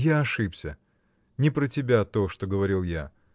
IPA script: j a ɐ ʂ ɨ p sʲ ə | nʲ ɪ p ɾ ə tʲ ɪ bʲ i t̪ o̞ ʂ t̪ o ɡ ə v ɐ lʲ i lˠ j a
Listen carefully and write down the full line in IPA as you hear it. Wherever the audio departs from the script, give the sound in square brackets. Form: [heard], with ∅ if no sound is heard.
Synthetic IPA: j a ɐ ʂ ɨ p sʲ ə | nʲ ɪ p ɾ ə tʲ ɪ bʲ [a] t̪ o̞ ʂ t̪ o ɡ ə v ɐ [ɾʲ] i lˠ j a